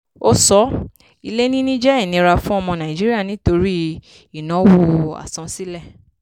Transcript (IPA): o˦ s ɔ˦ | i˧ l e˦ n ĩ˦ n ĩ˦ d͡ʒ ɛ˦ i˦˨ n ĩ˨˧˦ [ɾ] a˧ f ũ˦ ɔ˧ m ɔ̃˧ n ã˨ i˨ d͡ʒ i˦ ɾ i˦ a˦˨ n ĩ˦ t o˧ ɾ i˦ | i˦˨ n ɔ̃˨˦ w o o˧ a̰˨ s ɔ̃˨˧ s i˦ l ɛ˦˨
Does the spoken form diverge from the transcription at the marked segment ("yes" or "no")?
no